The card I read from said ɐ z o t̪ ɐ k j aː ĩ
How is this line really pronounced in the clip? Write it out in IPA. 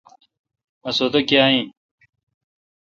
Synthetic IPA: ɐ s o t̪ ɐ k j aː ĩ